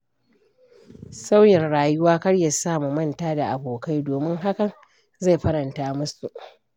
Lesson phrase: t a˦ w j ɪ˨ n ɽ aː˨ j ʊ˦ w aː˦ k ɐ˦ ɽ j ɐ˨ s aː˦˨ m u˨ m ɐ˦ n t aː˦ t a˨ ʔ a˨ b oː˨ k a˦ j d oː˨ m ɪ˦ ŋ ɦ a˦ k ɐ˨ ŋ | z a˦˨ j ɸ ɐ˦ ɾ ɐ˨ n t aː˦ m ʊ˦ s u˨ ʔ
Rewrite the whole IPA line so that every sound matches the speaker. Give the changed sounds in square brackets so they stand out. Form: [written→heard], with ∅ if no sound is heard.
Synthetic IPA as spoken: [t→s] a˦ w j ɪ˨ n ɽ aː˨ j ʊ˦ w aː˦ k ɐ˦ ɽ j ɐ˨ s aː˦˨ m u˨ m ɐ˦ n t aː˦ [t→d] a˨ ʔ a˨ b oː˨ k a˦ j d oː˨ m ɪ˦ ŋ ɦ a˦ k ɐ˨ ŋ | z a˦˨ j ɸ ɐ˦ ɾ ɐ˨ n t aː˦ m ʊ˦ s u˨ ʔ